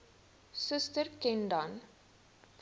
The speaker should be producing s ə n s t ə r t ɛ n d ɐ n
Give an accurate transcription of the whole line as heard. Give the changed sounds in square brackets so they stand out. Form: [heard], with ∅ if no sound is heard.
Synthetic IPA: s ə [∅] s t ə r [k] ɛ n d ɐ n